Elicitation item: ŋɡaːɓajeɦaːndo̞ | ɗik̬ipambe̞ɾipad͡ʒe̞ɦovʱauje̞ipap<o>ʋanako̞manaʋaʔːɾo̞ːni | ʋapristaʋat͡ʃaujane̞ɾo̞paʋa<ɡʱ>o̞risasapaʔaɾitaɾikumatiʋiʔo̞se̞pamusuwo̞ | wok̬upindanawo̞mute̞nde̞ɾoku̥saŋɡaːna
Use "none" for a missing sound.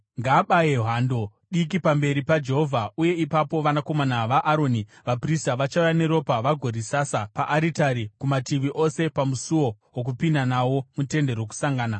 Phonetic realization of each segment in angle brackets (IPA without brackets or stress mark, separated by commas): o, ɡʱ